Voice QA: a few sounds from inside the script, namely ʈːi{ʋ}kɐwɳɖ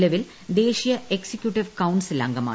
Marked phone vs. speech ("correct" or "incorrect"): correct